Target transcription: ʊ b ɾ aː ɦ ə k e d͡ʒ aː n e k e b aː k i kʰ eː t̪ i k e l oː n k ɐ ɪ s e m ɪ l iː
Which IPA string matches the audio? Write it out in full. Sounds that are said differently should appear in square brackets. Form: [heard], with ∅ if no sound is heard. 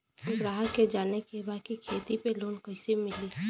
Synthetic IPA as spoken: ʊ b ɾ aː ɦ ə k e d͡ʒ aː n e k e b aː k i kʰ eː t̪ i [p] e l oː n k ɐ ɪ s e m ɪ l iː